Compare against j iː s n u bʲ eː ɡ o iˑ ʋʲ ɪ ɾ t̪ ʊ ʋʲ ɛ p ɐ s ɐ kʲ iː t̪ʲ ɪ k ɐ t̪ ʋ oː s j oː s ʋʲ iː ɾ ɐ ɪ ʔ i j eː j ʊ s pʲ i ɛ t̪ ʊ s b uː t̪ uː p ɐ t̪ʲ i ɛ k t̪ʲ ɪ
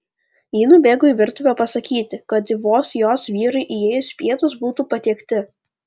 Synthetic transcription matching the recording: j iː n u bʲ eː ɡ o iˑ ʋʲ ɪ ɾ t̪ ʊ ʋʲ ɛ p ɐ s ɐ kʲ iː t̪ʲ ɪ k ɐ t̪ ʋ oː s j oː s ʋʲ iː ɾ ɐ ɪ ʔ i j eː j ʊ s pʲ i ɛ t̪ ʊ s b uː t̪ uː p ɐ t̪ʲ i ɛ k t̪ʲ ɪ